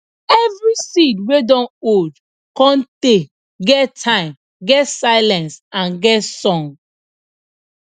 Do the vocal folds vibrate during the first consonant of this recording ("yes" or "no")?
yes